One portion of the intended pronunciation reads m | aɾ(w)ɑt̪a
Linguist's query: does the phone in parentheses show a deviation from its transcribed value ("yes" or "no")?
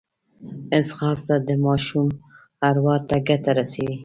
no